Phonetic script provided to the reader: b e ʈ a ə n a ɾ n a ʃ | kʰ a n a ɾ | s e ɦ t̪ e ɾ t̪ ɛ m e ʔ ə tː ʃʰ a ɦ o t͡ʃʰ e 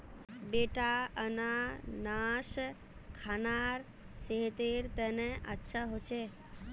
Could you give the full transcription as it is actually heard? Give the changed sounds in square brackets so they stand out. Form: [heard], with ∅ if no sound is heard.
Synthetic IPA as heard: b e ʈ a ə n a [∅] n a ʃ | kʰ a n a ɾ | s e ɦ t̪ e ɾ t̪ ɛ [n] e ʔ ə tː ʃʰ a ɦ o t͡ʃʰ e